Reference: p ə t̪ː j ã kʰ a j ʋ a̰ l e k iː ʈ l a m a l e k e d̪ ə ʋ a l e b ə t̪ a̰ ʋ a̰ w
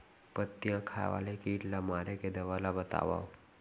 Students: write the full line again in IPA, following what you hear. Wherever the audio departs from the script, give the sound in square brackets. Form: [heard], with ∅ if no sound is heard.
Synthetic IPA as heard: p ə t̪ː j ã kʰ a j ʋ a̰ l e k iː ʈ l a m a [ɾ] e k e d̪ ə ʋ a l [a] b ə t̪ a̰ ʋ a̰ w